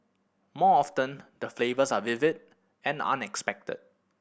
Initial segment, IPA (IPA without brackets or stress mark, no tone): m